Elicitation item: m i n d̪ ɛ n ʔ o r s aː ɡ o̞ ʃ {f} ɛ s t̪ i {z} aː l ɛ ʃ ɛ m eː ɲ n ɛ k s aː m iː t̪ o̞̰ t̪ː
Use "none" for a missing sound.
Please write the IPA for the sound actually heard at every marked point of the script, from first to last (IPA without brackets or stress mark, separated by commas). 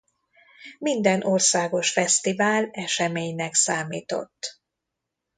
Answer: f, v